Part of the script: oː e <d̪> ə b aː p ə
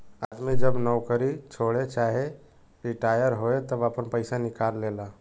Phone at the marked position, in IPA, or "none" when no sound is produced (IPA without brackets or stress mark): t̪